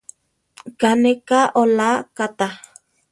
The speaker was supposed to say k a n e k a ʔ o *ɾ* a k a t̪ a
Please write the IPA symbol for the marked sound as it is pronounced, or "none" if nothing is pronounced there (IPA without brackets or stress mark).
l